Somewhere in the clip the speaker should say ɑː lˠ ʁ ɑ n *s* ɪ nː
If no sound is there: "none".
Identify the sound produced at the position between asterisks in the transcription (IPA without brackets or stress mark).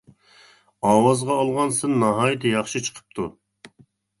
s